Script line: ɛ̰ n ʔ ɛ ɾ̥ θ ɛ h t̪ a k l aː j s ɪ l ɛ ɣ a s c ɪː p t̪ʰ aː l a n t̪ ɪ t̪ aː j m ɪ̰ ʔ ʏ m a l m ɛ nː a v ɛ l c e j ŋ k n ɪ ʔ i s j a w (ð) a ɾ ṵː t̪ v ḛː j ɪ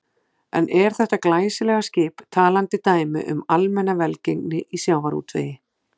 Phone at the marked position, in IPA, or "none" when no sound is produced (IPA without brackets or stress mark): v